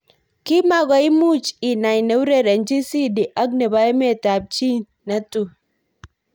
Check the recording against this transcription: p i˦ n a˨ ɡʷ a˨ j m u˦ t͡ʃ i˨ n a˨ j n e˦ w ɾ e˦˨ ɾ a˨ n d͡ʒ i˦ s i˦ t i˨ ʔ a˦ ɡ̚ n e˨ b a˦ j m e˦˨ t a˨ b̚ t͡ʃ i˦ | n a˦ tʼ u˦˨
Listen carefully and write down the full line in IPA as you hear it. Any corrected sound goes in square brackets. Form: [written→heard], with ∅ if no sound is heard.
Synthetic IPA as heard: [p→k] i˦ [n→m] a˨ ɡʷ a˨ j m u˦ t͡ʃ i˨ n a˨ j n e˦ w ɾ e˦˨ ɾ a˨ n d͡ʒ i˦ s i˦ [t→d] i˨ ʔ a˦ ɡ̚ n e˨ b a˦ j m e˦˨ t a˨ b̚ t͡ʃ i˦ | n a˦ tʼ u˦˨